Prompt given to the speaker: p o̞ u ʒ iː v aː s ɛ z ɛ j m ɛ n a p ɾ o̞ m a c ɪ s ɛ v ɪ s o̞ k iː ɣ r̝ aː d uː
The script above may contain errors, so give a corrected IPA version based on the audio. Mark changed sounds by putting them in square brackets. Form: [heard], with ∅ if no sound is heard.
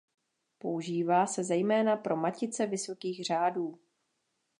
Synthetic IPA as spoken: p o̞ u ʒ iː v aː s ɛ z ɛ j m [ɛː] n a p ɾ o̞ m a c ɪ [t͡s] ɛ v ɪ s o̞ k iː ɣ r̝ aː d uː